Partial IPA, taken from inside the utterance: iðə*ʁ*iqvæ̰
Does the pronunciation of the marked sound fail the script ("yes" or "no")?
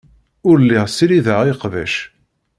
no